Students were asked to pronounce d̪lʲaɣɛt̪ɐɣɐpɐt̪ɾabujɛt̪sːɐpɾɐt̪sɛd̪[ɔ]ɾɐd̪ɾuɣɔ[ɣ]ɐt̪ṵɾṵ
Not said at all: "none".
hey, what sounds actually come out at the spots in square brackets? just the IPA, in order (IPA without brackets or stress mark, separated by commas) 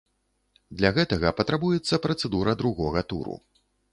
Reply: u, ɣ